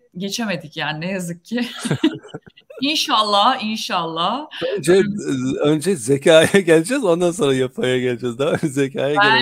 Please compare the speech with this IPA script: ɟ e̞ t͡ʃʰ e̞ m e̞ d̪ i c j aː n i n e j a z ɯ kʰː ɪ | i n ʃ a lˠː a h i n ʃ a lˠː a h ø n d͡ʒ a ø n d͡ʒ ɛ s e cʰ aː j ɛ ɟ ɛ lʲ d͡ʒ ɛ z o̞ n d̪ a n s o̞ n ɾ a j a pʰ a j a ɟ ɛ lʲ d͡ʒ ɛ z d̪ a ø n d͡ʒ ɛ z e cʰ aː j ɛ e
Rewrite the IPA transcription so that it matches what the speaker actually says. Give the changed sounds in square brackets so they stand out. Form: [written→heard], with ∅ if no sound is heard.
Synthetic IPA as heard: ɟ e̞ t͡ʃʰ e̞ m e̞ d̪ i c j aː n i n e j a z ɯ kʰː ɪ | i n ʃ a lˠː a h i n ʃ a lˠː a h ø n d͡ʒ [a→ɛ] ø n d͡ʒ ɛ [s→z] e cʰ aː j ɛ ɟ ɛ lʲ d͡ʒ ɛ z o̞ n d̪ a n s o̞ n ɾ a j a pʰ a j a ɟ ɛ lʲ d͡ʒ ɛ z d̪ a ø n d͡ʒ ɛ z e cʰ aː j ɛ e